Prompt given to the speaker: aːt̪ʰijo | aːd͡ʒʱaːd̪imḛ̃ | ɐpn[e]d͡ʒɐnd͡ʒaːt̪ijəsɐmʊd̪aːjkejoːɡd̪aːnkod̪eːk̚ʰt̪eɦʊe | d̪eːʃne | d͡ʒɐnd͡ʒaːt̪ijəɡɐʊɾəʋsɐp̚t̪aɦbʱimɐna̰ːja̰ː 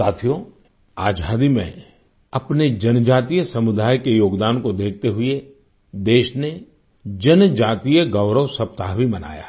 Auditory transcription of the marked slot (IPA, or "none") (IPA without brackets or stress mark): e